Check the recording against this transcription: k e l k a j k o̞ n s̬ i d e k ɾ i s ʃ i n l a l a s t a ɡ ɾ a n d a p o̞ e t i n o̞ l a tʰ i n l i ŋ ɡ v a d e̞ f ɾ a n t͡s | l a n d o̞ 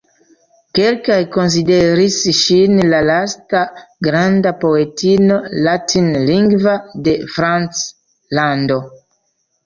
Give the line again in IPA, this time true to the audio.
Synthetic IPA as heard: k e l k a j k o̞ n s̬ i d e ɾ i s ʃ i n l a l a s t a ɡ ɾ a n d a p o̞ e t i n o̞ l a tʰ i n l i ŋ ɡ v a d e̞ f ɾ a n t͡s | l a n d o̞